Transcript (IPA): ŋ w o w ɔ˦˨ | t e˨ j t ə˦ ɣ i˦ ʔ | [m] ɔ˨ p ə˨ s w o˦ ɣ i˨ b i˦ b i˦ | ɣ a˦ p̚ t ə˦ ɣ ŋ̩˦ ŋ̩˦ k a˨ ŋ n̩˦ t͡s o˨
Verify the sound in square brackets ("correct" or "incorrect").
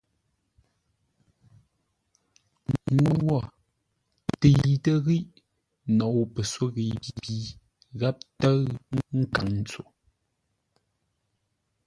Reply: incorrect